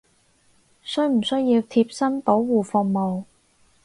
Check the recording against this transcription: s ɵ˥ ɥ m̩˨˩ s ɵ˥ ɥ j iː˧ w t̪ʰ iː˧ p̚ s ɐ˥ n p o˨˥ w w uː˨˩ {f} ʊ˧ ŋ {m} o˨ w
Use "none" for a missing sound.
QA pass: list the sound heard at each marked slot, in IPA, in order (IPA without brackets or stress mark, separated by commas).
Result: f, m